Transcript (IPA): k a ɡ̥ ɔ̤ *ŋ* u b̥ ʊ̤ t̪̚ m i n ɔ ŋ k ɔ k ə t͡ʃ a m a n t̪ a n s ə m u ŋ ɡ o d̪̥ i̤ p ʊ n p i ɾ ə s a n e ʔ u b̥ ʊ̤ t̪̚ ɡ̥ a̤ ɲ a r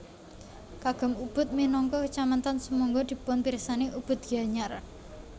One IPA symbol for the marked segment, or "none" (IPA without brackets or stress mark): m